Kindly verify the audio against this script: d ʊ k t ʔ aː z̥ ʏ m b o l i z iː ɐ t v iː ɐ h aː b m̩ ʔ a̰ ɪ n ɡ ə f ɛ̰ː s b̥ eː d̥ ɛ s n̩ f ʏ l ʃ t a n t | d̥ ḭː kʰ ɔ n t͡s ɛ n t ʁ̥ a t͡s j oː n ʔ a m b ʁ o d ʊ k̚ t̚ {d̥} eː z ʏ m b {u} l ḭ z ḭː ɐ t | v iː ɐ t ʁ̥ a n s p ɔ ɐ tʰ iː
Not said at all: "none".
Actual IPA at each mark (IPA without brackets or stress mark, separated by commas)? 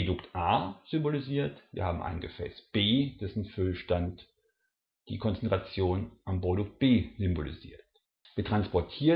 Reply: b̥, o